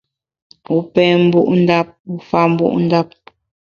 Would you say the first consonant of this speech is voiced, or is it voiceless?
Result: voiceless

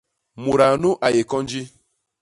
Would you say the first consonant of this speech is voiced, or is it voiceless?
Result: voiced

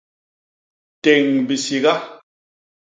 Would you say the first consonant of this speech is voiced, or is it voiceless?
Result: voiceless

